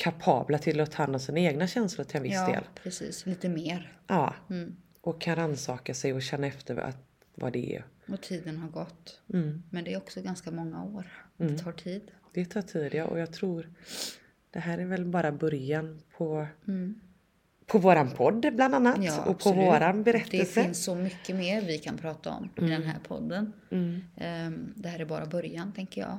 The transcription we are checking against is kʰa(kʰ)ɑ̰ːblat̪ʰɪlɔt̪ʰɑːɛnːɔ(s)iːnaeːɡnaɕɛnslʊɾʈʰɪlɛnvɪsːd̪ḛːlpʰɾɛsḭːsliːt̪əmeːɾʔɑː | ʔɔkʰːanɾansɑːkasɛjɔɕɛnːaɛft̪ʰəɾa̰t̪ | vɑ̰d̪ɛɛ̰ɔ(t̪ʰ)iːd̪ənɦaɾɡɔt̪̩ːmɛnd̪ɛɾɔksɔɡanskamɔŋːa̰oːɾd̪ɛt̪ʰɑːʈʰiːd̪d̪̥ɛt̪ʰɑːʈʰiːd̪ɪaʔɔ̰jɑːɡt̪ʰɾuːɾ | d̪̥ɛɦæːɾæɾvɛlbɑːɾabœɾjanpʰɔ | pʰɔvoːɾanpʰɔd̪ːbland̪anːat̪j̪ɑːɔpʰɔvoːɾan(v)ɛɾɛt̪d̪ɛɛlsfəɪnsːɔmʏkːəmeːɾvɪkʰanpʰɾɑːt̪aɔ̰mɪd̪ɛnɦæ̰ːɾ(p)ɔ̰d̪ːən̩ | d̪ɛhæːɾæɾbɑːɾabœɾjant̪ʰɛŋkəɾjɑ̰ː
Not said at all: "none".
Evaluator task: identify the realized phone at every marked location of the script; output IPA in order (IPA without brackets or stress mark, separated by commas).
pʰ, s, t̪ʰ, b, pʰ